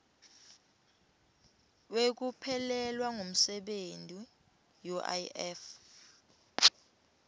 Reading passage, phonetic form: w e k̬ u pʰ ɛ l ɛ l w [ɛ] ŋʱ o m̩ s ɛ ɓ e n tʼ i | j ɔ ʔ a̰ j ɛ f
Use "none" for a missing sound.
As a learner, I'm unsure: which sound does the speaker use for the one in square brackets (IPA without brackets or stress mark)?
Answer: a